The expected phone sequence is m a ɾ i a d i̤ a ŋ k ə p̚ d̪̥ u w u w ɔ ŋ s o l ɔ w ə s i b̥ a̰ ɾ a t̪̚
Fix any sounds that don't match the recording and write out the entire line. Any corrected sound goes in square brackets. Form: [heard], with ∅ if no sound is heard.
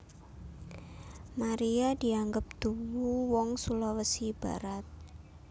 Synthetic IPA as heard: m a ɾ i a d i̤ a ŋ [ɡ] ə p̚ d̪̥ u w u w ɔ ŋ s [u] l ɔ w ə s i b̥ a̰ ɾ a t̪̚